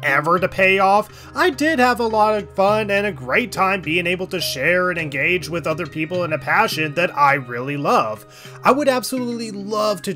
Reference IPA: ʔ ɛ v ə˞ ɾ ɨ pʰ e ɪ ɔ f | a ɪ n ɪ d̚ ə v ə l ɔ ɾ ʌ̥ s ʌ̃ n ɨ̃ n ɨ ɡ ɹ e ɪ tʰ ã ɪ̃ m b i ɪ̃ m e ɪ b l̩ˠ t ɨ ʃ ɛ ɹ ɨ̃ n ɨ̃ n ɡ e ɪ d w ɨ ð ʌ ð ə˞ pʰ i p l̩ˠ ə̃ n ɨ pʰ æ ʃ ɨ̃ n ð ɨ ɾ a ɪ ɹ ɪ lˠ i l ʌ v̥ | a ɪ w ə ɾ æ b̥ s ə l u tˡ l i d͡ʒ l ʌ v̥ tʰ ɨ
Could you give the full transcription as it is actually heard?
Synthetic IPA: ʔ ɛ v ə˞ ɾ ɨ pʰ e ɪ ɔ f | a ɪ d ɪ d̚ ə v ə l ɔ ɾ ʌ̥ f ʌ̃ n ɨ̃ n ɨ ɡ ɹ e ɪ tʰ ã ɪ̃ m b i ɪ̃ ŋ e ɪ b l̩ˠ t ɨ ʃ ɛ ɹ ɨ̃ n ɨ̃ n ɡ e ɪ d͡ʒ w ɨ ð ʌ ð ə˞ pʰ i p l̩ˠ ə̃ n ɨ pʰ æ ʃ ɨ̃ n ð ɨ ɾ a ɪ ɹ ɪ lˠ i l ʌ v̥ | a ɪ w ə ɾ æ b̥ s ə l u tˡ l i l ʌ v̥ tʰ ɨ

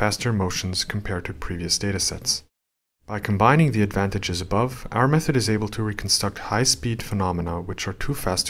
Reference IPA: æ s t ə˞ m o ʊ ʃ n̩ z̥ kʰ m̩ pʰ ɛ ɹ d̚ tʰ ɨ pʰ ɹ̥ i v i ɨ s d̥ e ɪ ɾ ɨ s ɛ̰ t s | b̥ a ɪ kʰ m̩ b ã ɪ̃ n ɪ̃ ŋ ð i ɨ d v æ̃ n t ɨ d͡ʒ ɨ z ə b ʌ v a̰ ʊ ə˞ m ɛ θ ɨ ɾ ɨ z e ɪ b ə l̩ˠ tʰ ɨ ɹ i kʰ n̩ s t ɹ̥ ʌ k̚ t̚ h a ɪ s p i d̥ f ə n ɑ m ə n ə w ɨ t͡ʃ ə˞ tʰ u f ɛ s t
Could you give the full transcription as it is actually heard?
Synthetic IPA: æ s t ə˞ m o ʊ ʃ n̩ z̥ kʰ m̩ pʰ ɛ ɹ d̚ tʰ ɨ pʰ ɹ̥ i v i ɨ s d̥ e ɪ ɾ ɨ s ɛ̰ t s | b̥ a ɪ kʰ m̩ b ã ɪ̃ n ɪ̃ ŋ ð i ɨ d v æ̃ n t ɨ d͡ʒ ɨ z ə b ʌ v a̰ ʊ ə˞ m ɛ θ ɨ ɾ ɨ z e ɪ b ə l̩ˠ tʰ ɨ ɹ i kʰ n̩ s t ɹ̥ ʌ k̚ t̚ h a ɪ s p i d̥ f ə n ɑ m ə n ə w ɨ t͡ʃ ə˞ tʰ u f æ s t

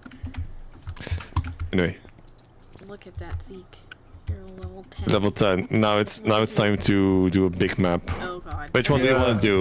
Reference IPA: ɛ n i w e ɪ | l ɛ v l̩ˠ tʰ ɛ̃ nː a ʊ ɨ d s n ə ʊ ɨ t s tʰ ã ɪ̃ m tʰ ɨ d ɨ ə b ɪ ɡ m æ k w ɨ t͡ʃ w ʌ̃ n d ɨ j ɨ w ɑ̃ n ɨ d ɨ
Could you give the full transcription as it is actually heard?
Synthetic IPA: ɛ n i w e ɪ | l ɛ v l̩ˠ tʰ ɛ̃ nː a ʊ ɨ t s n a ʊ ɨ t s tʰ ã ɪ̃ m tʰ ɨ d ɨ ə b ɪ ɡ m æ p w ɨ t͡ʃ w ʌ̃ n d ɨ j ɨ w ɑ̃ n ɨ d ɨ

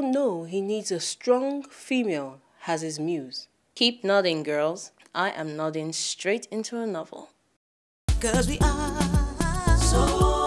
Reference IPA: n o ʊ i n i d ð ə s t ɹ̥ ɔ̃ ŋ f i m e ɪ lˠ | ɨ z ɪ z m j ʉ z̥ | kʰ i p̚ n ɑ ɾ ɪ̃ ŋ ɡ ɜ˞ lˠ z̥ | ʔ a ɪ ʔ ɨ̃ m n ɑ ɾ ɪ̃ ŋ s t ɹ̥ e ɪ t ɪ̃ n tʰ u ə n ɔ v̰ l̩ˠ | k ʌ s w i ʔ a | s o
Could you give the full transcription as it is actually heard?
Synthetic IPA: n o ʊ i n i d z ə s t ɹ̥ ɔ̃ ŋ f i m e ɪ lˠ | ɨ z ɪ z m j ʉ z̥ | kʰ i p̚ n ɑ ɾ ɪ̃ ŋ ɡ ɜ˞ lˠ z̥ | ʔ a ɪ ʔ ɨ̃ m n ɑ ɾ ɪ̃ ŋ s t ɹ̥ e ɪ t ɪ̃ n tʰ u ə n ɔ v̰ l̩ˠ | k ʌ z w i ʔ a | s o

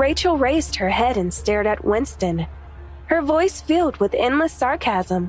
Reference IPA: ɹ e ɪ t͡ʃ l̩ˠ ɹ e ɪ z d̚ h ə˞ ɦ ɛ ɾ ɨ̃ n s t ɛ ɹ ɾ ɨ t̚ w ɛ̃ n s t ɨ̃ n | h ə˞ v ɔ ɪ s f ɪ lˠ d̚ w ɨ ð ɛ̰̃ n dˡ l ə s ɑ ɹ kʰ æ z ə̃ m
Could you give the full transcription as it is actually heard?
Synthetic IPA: ɹ e ɪ t͡ʃ l̩ˠ ɹ e ɪ z d̚ h ə˞ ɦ ɛ ɾ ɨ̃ n s t ɛ ɹ ɾ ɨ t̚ w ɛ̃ n s t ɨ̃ n | h ə˞ v ɔ ɪ s f ɪ lˠ d̚ w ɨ ð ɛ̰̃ n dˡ l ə s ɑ ɹ kʰ æ z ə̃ m

